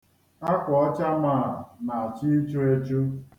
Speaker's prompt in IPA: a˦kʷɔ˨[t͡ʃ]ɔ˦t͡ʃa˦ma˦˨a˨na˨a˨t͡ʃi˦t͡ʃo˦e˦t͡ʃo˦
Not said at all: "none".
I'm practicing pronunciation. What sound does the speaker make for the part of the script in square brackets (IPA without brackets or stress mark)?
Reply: none